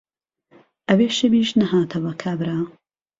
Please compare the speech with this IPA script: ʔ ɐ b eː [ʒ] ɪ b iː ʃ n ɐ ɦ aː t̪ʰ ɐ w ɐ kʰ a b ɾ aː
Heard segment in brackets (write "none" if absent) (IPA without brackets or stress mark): ʃ